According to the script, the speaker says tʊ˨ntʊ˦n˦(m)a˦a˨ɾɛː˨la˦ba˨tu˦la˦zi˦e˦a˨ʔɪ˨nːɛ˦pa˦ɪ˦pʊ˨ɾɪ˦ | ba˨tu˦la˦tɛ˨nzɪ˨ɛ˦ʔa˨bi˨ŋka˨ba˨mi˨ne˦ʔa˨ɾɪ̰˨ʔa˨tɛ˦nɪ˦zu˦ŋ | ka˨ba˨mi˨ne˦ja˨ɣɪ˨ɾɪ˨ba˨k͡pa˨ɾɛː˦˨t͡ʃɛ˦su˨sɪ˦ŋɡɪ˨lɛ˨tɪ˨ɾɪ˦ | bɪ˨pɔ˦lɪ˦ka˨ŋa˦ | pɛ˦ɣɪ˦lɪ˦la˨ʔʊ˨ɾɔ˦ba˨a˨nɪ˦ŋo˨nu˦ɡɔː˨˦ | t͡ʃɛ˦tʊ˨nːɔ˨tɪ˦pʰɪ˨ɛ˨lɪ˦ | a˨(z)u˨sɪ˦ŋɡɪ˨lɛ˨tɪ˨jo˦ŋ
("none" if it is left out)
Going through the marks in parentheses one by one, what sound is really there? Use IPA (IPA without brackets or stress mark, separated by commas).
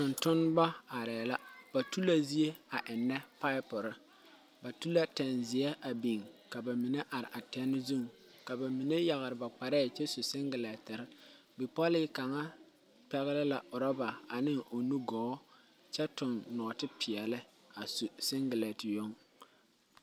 b, s